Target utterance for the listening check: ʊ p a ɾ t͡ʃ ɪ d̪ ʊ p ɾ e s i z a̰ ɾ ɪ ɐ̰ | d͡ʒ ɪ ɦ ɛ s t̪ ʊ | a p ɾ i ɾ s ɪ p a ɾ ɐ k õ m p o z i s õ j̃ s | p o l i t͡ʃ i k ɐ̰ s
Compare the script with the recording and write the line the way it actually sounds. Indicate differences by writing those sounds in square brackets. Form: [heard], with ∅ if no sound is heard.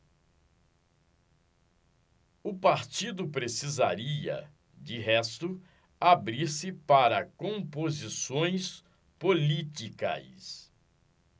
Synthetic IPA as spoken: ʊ p a ɾ t͡ʃ [i] d̪ ʊ p ɾ e s i z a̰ ɾ [i] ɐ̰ | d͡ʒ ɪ ɦ ɛ s t̪ ʊ | a [b] ɾ i ɾ s ɪ p a ɾ ɐ k õ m p o z i s õ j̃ s | p o l i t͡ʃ i k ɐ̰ s